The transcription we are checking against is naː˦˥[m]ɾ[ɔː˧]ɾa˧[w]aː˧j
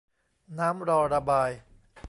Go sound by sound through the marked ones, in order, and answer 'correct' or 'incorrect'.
correct, correct, incorrect

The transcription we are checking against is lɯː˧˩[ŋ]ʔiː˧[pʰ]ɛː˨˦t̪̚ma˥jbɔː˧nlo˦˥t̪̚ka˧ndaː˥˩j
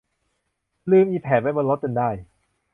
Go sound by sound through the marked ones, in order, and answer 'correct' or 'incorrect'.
incorrect, correct

